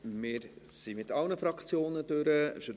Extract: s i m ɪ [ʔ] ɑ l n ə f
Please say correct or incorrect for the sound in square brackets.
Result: incorrect